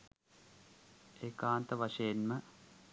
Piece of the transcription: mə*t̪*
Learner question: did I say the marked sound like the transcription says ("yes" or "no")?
no